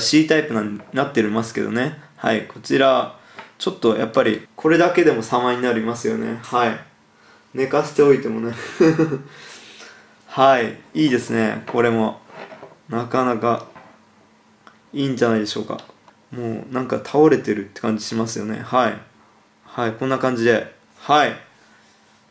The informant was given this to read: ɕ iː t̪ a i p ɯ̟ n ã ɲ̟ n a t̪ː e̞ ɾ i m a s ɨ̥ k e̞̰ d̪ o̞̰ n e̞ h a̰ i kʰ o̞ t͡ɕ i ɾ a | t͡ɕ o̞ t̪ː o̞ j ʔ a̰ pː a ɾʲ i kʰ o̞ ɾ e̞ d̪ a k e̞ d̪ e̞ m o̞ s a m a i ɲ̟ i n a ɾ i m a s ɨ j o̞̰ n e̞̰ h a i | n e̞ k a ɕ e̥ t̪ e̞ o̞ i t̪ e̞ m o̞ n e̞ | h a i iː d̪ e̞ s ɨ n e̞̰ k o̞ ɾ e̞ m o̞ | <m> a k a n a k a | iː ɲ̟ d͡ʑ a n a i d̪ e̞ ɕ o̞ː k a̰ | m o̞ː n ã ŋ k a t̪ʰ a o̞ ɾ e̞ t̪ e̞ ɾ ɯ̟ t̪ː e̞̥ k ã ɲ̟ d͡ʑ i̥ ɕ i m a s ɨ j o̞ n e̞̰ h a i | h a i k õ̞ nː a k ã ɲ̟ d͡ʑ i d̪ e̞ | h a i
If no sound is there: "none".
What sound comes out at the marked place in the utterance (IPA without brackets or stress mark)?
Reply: n